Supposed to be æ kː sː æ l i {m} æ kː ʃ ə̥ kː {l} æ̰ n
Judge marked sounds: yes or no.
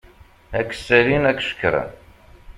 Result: no, no

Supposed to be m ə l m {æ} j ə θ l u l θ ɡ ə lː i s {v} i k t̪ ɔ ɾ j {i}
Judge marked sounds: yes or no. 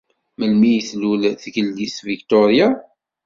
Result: no, yes, no

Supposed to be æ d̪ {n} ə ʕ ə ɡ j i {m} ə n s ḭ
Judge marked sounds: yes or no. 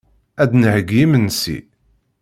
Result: yes, yes

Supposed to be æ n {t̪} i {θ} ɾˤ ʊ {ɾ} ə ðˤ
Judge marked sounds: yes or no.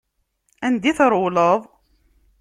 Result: no, yes, no

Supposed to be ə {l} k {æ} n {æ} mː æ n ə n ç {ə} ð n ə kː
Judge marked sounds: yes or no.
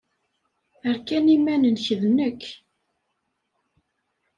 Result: no, yes, no, yes

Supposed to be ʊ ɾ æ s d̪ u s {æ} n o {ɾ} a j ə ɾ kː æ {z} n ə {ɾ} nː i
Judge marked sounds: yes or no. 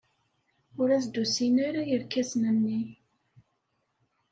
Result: no, yes, no, no

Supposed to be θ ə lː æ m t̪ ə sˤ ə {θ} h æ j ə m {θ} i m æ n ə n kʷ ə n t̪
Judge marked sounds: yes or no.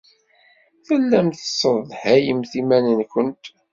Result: no, yes

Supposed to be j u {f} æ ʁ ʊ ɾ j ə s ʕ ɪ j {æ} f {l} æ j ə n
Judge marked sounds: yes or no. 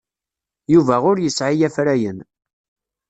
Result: no, yes, no

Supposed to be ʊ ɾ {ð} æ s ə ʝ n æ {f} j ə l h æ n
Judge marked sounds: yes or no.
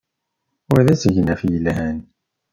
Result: yes, yes

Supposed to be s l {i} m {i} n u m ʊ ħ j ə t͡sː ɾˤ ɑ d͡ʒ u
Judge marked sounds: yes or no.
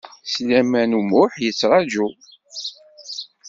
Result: no, no

